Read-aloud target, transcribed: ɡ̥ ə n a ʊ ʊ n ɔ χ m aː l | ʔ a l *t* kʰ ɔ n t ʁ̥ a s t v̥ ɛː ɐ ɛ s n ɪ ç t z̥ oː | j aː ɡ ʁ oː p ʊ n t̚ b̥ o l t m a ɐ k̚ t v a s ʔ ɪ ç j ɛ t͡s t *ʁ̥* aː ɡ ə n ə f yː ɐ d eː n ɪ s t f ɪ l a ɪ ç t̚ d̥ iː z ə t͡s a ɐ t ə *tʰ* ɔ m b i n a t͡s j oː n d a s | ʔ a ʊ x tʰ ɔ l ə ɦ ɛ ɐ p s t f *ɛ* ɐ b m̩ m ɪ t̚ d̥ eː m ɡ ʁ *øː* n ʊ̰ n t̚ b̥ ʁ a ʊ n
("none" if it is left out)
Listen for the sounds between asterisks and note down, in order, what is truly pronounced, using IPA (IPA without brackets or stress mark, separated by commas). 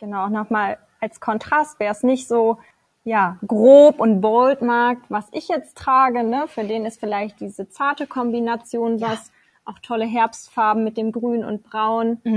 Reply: s, ʁ̥, kʰ, a, yː